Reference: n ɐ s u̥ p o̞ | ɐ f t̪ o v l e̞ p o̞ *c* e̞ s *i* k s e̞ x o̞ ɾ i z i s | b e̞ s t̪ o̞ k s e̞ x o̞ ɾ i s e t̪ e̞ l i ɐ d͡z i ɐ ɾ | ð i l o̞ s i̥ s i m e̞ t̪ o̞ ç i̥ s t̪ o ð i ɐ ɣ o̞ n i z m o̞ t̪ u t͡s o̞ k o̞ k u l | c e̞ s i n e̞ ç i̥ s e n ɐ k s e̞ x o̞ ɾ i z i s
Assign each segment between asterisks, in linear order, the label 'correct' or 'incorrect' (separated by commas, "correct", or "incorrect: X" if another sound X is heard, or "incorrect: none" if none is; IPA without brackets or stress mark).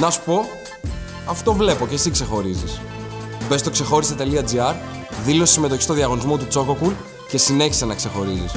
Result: correct, correct